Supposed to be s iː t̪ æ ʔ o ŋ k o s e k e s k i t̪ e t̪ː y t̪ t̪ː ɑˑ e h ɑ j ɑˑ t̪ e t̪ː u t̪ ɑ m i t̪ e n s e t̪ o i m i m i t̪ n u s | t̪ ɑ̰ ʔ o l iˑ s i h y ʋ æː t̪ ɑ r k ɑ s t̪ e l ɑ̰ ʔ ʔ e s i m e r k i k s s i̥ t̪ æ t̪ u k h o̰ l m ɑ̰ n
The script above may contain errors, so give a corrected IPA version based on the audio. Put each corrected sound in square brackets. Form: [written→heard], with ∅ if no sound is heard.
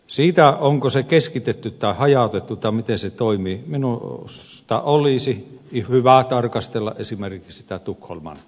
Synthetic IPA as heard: s iː t̪ æ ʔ o ŋ k o s e k e s k i t̪ e t̪ː y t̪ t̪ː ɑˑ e h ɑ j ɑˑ t̪ e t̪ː u t̪ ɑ m i t̪ e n s e t̪ o i m i m i [t̪→∅] n u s | t̪ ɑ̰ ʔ o l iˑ s i h y ʋ [æː→æ] t̪ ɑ r k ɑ s t̪ e [l→lː] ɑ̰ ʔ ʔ e s i m e r k i k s s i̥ t̪ æ t̪ u k h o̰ l m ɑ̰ n

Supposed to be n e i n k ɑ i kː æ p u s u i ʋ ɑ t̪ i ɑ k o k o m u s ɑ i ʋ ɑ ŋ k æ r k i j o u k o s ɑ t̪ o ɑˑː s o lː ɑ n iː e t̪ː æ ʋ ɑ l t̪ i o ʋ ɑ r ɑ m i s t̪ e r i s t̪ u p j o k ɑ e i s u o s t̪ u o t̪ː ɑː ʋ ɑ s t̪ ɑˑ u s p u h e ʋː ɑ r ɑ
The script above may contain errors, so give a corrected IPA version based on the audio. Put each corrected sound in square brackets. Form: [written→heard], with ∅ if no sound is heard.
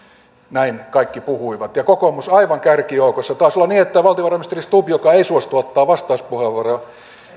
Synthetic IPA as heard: n [e→æ] i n k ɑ i kː [æ→i] p u [s→h] u i ʋ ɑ t̪ [i→j] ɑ k o k o m u s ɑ i ʋ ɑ ŋ k æ r k i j o u k o [s→sː] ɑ t̪ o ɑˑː s o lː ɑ n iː e t̪ː æ ʋ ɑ l t̪ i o ʋ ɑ r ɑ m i s t̪ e r i s t̪ u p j o k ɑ e i s u o s t̪ u o t̪ː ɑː ʋ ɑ s t̪ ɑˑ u s p u h e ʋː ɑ r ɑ

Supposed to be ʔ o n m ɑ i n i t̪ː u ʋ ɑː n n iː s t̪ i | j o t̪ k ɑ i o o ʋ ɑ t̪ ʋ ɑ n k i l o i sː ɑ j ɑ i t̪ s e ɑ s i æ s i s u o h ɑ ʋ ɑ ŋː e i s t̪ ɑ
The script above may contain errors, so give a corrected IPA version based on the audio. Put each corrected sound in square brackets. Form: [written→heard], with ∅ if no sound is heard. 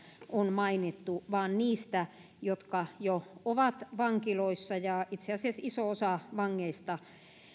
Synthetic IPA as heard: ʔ o n m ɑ i n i t̪ː u ʋ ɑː n n iː s t̪ [i→æ] | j o t̪ k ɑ [i→j] o o ʋ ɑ t̪ ʋ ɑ [n→ŋ] k i l o i sː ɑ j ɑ i t̪ s e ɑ s i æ s i s [u→o] o [h→s] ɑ ʋ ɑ ŋː e i s t̪ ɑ

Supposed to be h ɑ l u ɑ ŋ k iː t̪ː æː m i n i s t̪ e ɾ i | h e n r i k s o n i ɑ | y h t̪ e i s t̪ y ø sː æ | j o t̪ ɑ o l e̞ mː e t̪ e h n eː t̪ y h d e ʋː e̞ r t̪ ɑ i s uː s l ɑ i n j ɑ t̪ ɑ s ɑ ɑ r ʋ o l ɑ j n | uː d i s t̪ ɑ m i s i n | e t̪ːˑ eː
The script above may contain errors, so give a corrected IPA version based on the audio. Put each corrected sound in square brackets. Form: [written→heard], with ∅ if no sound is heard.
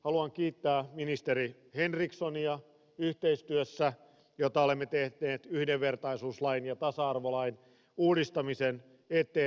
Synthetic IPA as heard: h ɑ l u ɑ ŋ k iː t̪ː æː m i n i s t̪ e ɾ i | h e n r i k s o n i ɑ | y h t̪ e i s t̪ y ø sː æ | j o t̪ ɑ o l e̞ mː e t̪ e h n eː t̪ y h d e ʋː e̞ r t̪ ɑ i s uː s l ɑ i n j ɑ t̪ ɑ s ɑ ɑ r ʋ o l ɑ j n | uː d i s t̪ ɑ m i s [i→e] n | e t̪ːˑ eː

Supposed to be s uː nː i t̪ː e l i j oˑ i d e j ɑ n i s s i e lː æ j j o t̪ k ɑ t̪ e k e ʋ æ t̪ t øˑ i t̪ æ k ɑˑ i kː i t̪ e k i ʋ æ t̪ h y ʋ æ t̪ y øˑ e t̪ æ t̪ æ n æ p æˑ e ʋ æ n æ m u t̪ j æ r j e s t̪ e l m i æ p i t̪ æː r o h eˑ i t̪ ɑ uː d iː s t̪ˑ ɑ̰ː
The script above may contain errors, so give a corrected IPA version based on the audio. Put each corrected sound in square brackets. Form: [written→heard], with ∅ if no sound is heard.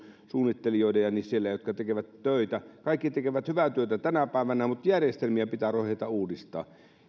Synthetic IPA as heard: s uː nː i t̪ː e l i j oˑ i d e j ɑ n i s s i e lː æ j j o t̪ k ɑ t̪ e k e ʋ æ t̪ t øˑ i t̪ æ k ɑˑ i kː i t̪ e k [i→e] ʋ æ t̪ h y ʋ æ t̪ y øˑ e t̪ æ t̪ æ n æ p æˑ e ʋ æ n æ m u t̪ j æ r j e s t̪ e l m i æ p i t̪ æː r o h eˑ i t̪ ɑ uː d [iː→i] s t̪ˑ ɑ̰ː

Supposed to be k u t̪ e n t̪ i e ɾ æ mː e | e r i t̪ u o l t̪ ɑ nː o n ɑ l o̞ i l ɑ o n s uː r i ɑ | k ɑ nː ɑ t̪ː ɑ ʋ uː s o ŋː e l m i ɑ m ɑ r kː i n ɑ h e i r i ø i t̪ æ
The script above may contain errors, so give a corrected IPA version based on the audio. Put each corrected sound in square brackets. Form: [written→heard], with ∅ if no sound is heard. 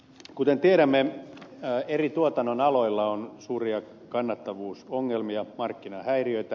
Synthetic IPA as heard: k u t̪ e n t̪ i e ɾ æ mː e | e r i t̪ u o [l→∅] t̪ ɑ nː o n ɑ l o̞ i [l→lː] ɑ o n s uː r i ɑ | k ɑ nː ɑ t̪ː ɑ ʋ uː s o ŋː e l m i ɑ m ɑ r kː i n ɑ h [e→æ] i r i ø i t̪ æ

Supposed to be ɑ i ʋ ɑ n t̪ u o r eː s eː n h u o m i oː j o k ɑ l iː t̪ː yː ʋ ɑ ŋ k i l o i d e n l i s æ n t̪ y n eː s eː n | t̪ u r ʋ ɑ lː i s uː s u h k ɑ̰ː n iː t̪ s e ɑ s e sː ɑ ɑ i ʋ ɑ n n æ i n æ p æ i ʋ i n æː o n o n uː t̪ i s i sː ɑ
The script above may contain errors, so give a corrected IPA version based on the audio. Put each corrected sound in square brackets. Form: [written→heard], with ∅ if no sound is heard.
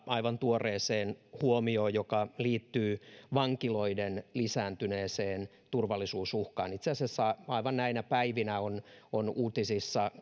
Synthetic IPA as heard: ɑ i ʋ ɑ n t̪ u o r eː s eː n h u o m i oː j o k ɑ l iː t̪ː yː ʋ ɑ ŋ k i l o i d e n l i s [æ→æː] n t̪ y n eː s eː n | t̪ u r ʋ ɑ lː i s uː s u h k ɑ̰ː n [iː→i] t̪ s e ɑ s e sː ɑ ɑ i ʋ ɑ n n æ i n æ p æ i ʋ i n [æː→æ] o n o n uː t̪ i s i sː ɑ

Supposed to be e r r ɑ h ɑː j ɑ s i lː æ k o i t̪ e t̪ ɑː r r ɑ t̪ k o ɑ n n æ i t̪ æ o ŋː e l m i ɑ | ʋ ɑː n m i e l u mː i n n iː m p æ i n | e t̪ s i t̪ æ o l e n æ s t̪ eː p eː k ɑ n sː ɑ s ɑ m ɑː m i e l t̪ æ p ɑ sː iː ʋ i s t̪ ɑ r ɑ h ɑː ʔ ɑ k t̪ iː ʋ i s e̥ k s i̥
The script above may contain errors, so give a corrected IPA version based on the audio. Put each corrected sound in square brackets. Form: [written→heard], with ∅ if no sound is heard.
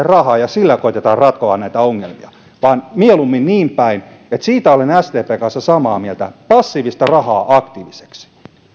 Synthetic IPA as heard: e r r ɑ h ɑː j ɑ s i lː æ k o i t̪ e t̪ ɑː r r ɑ t̪ k o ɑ n n æ i t̪ æ o ŋː e l m i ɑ | ʋ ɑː n m i e l u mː i n n iː m p æ i n | e t̪ s [i→iː] t̪ æ o l e n æ s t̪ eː p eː k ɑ n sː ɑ s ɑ m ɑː m i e l t̪ æ p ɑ sː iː ʋ i s t̪ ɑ r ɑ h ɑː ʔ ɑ k t̪ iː ʋ i s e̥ k s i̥

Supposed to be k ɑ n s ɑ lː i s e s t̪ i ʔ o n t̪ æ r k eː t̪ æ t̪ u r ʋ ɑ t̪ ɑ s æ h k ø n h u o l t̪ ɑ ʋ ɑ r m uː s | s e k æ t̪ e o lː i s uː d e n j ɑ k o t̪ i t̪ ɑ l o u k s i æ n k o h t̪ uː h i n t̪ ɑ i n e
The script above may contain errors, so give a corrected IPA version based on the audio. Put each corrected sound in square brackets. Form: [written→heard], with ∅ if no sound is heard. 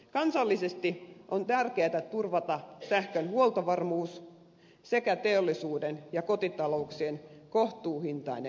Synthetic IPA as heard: k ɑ n s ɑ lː i s e s t̪ i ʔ o n t̪ æ r k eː t̪ æ t̪ u r ʋ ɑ t̪ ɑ s æ h k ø n h u o l t̪ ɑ ʋ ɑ r m uː s | s e k æ t̪ e o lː i s uː d e n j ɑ k o t̪ i t̪ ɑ l o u k s i [æ→e] n k o h t̪ uː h i n t̪ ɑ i n e

